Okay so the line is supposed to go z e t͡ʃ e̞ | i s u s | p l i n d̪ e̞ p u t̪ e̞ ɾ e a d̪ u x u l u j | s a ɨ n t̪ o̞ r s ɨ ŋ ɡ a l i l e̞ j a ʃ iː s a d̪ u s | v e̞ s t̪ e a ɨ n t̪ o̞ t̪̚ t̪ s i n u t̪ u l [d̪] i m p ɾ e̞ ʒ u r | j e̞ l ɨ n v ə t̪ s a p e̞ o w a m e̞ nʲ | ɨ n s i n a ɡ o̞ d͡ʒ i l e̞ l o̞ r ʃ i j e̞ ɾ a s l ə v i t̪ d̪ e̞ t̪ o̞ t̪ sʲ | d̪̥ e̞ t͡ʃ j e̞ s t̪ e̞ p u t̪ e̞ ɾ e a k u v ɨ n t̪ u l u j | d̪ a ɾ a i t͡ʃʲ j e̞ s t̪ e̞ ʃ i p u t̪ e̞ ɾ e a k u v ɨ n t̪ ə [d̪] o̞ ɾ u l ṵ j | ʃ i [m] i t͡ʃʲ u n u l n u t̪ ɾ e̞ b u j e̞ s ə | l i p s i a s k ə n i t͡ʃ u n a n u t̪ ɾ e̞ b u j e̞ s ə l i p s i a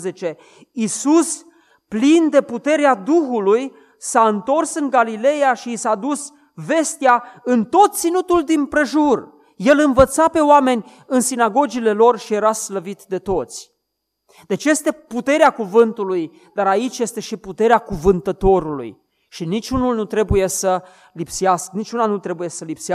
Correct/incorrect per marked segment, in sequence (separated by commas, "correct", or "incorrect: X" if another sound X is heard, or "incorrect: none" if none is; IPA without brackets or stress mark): correct, incorrect: t̪, incorrect: n